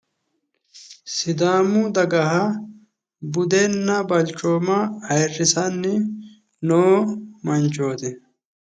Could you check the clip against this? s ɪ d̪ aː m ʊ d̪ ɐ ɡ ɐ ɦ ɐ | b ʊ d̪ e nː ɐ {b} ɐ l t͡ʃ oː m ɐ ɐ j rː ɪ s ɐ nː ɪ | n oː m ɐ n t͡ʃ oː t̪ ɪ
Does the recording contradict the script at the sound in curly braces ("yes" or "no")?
no